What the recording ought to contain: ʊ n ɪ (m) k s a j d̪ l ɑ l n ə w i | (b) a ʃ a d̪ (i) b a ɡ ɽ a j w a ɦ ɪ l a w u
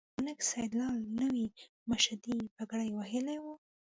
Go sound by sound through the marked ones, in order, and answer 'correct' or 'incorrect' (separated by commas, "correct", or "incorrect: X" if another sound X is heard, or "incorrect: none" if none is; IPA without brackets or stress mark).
incorrect: none, incorrect: m, correct